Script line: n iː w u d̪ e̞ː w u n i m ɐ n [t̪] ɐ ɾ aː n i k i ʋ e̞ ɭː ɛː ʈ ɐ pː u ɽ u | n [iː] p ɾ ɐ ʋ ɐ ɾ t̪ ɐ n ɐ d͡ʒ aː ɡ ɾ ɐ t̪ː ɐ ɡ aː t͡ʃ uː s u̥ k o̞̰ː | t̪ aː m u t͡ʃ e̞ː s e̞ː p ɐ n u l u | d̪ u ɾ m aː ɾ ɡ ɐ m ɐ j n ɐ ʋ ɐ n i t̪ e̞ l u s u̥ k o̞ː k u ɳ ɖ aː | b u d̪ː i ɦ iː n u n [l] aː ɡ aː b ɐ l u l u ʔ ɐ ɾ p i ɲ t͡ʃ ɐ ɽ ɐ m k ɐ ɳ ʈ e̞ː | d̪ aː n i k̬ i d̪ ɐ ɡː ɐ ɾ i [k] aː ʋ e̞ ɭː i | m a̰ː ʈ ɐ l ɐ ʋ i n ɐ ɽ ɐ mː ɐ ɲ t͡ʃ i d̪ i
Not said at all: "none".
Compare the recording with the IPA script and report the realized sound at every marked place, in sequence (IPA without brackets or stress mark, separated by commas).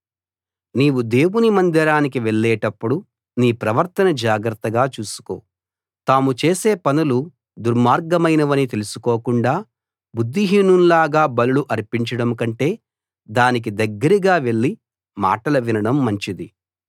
d̪, iː, l, ɡ